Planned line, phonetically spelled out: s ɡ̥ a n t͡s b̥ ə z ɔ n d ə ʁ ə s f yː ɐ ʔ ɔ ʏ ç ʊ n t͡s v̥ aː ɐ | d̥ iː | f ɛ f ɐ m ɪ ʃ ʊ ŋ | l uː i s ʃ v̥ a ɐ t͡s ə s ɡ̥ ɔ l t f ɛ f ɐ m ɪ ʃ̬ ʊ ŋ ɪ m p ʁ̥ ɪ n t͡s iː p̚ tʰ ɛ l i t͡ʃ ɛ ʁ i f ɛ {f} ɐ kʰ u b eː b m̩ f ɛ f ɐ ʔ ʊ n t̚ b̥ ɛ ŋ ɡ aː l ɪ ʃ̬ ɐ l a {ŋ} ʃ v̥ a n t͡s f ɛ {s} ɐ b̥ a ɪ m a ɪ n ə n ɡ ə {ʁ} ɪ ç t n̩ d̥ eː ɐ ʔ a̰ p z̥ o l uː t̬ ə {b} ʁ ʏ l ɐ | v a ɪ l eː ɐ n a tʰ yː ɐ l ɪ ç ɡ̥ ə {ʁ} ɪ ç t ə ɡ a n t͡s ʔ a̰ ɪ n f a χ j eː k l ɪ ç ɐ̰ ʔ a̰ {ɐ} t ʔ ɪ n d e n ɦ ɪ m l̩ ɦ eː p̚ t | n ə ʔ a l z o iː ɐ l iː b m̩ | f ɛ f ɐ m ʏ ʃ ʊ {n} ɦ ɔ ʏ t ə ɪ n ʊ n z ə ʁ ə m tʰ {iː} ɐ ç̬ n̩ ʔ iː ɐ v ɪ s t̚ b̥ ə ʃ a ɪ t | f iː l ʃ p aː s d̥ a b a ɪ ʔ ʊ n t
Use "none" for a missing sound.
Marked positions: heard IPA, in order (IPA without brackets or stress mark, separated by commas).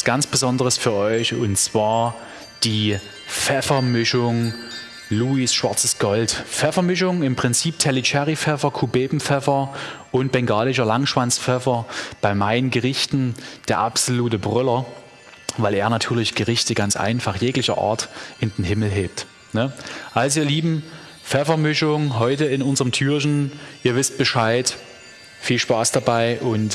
f, ŋ, f, ʁ, b, ʁ, ɐ, ŋ, yː